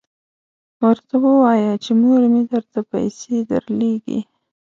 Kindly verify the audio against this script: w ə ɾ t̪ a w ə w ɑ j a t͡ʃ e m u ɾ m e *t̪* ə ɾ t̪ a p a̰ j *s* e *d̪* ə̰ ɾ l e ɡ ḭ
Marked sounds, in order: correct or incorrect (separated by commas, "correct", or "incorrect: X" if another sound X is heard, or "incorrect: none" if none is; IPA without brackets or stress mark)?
incorrect: d̪, correct, correct